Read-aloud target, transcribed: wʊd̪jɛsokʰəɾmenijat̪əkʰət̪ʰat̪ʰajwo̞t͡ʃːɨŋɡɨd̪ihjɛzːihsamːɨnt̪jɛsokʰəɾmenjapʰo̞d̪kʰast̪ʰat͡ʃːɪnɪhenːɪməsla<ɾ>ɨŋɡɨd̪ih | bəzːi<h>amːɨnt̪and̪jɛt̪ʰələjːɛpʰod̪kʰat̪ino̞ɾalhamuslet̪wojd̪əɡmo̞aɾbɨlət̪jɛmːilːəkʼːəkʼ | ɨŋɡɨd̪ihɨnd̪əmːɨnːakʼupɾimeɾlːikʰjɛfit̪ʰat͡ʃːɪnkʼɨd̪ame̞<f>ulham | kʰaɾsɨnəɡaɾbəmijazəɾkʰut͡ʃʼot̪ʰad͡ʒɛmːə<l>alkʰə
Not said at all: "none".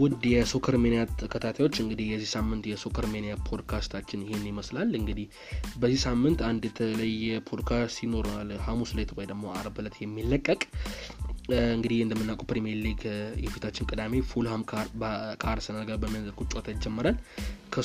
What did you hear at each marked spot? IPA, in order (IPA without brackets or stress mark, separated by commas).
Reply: l, s, f, ɾ